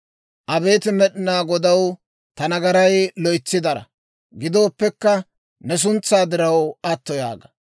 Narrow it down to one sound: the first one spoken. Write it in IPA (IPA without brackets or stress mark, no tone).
ʔ